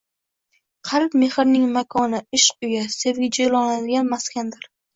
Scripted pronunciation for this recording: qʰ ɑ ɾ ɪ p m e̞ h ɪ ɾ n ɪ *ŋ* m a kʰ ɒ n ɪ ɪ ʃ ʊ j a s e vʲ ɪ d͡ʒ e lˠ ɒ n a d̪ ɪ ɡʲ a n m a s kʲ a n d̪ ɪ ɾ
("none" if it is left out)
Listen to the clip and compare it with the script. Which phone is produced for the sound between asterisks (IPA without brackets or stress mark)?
ŋ